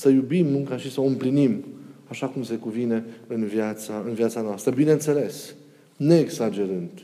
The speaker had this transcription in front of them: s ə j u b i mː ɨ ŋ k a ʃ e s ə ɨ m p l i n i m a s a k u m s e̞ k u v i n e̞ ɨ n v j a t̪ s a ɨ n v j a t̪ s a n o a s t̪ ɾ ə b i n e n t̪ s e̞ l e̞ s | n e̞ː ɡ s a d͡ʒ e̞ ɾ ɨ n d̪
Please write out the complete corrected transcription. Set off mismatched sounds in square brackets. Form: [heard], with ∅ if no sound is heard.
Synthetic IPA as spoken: s ə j u b i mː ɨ ŋ k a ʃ [i] s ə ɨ m p l i n i m a [ʃ] a k u m s e̞ k u v i n e̞ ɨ n v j a t̪ s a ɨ n v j a t̪ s a n o a s t̪ ɾ ə b i n e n t̪ s e̞ l e̞ s | n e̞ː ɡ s a d͡ʒ e̞ ɾ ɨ n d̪